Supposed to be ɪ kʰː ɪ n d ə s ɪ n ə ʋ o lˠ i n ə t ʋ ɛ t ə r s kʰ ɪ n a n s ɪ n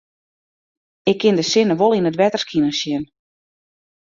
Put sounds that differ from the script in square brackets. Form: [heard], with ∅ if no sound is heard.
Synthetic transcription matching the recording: ɪ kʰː ɪ n d ə s ɪ n ə ʋ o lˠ i n ə t ʋ ɛ t ə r s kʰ [i] n [ə] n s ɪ n